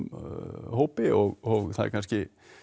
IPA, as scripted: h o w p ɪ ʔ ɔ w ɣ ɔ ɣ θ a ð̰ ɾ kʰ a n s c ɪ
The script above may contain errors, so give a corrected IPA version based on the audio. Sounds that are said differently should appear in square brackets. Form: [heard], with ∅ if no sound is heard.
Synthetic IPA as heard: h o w p ɪ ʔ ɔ [∅] ɣ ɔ ɣ θ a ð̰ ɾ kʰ a n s c ɪ